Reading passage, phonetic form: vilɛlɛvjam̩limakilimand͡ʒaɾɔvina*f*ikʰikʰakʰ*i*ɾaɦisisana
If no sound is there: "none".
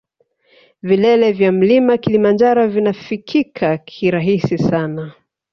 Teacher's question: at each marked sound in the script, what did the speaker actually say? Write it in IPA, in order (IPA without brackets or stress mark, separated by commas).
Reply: f, i